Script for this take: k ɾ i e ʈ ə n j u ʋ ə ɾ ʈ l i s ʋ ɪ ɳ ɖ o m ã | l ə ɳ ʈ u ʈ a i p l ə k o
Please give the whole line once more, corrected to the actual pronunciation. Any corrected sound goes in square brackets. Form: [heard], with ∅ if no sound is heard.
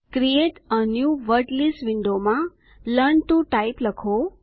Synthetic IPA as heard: k ɾ i e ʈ ə n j u ʋ ə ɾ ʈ l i s ʋ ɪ ɳ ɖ o m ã | l ə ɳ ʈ u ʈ a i p l ə [kʰ] o